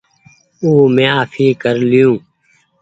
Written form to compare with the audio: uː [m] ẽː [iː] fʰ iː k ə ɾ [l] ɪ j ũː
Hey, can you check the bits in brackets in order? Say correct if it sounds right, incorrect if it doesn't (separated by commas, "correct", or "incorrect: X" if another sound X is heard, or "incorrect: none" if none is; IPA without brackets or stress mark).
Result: correct, incorrect: aː, correct